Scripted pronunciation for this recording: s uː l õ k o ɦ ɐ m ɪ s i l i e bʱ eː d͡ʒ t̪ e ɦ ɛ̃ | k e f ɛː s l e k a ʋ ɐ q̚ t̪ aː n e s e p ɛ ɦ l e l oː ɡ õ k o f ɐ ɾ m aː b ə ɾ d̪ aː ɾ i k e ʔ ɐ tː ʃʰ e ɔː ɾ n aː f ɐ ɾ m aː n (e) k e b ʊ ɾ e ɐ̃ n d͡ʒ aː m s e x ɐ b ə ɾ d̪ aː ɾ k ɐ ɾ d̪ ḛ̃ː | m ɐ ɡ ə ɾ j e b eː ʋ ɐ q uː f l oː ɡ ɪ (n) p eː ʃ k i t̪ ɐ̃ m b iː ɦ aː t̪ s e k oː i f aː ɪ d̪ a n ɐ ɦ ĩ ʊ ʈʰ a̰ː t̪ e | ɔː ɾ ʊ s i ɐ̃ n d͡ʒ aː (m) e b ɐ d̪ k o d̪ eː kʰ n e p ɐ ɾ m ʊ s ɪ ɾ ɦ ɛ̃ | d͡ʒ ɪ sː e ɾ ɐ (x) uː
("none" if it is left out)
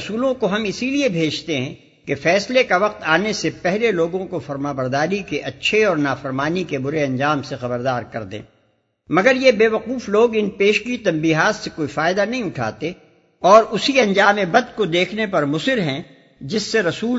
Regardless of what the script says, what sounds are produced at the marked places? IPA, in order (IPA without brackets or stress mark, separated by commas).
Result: i, n, m, s